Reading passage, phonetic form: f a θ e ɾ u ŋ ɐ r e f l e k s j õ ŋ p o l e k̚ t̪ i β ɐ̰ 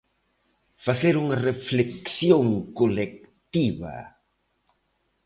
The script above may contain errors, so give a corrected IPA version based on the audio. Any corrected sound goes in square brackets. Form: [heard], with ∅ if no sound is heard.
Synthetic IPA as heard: f a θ e ɾ u ŋ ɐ r e f l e k s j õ ŋ [k] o l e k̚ t̪ i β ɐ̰

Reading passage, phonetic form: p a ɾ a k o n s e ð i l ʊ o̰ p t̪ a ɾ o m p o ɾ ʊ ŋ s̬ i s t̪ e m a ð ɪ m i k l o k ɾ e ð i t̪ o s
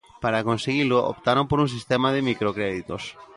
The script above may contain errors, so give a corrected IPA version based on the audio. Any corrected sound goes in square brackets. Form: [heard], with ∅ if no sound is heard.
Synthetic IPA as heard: p a ɾ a k o n s e [ɣ] i l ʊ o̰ p t̪ a ɾ o m p o ɾ [u] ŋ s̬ i s t̪ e m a ð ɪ m i k [ɾ] o k ɾ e ð i t̪ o s

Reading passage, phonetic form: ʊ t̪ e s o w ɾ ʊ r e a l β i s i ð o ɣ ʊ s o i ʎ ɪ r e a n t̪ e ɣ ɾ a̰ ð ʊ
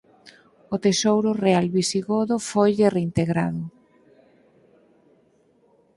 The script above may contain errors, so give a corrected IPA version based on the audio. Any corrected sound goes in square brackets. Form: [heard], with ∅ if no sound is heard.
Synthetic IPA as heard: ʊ t̪ e s o w ɾ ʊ r e a l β i s i [ɣ] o [ð] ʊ [f] o [j] ʎ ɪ r e [i] n t̪ e ɣ ɾ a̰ ð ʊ

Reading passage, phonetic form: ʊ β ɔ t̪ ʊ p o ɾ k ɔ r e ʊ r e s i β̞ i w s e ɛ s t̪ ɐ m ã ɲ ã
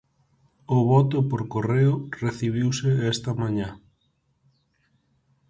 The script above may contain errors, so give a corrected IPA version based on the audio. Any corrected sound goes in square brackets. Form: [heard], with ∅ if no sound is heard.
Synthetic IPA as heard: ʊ β ɔ t̪ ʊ p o ɾ k [o] r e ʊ r e [θ] i β̞ i w s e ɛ s t̪ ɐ m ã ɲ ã

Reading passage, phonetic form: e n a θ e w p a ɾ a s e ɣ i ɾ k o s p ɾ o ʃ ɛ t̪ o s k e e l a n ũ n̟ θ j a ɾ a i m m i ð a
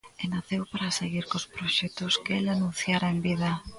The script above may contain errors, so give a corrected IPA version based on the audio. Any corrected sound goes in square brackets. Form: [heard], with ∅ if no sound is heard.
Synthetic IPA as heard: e n a θ e w p a ɾ a s e ɣ i ɾ k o s p ɾ o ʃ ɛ t̪ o s k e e l a n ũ n̟ θ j a ɾ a [e] m [b] i ð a

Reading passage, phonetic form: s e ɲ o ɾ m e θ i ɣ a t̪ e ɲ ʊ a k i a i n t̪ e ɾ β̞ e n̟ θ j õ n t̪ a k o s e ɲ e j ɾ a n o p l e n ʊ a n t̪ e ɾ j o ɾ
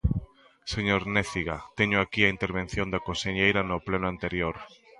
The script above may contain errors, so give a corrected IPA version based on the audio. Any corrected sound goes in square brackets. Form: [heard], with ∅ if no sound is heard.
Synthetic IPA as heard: s e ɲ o ɾ [n] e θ i ɣ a t̪ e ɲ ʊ a k i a i n t̪ e ɾ β̞ e n̟ θ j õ n [d̪] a k o s e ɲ e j ɾ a n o p l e n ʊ a n t̪ e ɾ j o ɾ

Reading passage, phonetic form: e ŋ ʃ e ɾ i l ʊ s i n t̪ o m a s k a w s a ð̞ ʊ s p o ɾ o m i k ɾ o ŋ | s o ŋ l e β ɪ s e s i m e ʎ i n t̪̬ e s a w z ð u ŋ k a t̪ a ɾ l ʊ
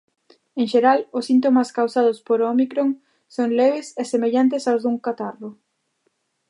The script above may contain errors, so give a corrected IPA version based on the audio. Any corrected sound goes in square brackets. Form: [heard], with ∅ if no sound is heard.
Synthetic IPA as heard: e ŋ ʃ e ɾ [a] l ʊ s i n t̪ o m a s k a w s a ð̞ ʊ s p o ɾ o m i k ɾ o ŋ | s o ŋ l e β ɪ s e s [e] m e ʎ [a] n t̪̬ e s a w z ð u ŋ k a t̪ a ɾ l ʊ

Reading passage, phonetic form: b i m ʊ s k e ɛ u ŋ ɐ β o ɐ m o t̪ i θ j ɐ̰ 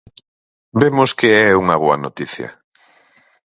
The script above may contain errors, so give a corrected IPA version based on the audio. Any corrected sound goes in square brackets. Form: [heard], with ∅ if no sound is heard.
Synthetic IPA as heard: b [e] m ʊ s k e ɛ u ŋ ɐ β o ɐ [n] o t̪ i θ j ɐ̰

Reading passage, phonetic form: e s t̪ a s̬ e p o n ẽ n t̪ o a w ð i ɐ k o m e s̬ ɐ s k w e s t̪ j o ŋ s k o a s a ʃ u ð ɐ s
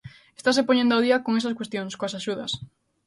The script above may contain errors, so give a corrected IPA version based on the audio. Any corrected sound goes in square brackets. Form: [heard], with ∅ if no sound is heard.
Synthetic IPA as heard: e s t̪ a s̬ e p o [ɲ] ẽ n [d̪] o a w ð i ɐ k o [ŋ] e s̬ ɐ s k w e s t̪ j o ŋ s k o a s a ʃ u ð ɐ s

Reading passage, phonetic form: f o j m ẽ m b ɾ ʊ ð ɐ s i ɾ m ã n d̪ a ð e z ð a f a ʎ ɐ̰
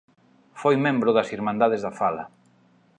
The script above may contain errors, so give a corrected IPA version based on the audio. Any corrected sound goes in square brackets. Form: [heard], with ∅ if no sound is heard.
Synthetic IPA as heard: f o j m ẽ m b ɾ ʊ ð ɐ s i ɾ m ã n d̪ a ð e z ð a f a [l] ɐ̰

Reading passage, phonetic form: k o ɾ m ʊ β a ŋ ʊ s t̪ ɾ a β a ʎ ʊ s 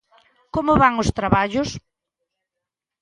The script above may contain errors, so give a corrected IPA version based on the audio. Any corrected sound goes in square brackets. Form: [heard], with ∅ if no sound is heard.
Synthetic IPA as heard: k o [∅] m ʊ β a ŋ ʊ s t̪ ɾ a β a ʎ ʊ s

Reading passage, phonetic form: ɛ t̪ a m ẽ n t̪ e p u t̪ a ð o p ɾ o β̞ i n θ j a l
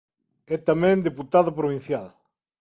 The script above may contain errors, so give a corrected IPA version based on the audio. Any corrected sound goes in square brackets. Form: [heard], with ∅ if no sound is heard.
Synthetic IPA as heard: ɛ t̪ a m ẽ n [d̪] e p u t̪ a ð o p ɾ o β̞ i n θ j a l

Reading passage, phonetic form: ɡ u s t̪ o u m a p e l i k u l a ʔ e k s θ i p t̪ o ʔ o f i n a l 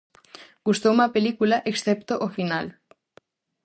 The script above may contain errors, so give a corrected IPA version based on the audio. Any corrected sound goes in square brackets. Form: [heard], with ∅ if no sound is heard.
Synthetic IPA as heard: ɡ u s t̪ o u m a p e l i k u l a ʔ e k s θ [e] p t̪ o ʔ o f i n a l

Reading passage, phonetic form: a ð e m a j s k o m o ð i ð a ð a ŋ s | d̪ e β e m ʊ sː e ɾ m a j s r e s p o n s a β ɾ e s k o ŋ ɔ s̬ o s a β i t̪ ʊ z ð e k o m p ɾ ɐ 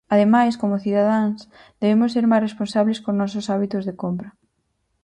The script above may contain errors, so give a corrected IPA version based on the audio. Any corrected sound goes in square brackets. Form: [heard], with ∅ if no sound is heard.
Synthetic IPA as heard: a ð e m a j s k o m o [θ] i ð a ð a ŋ s | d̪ e β e m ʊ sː e ɾ m a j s r e s p o n s a β [l] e s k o [n] ɔ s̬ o s a β i t̪ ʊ z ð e k o m p ɾ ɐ

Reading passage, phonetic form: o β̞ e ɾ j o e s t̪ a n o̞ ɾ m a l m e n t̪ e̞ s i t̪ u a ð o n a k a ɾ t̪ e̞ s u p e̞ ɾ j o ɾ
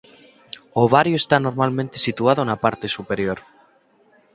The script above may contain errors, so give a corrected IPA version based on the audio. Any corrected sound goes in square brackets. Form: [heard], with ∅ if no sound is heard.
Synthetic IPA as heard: o β̞ [a] ɾ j o e s t̪ a n o̞ ɾ m a l m [ẽ] n t̪ e̞ s i t̪ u a ð o n a [p] a ɾ t̪ e̞ s u p e̞ ɾ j o ɾ

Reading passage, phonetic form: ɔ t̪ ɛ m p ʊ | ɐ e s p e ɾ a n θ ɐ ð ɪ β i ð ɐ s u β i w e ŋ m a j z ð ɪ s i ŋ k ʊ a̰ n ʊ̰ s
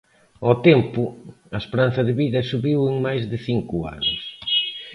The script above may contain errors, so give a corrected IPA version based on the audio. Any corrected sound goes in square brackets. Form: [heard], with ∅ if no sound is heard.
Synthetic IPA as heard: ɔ t̪ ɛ m p ʊ | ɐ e s p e ɾ a n θ ɐ ð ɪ β i ð ɐ s u β i w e ŋ m a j z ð ɪ [θ] i ŋ k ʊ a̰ n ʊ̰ s

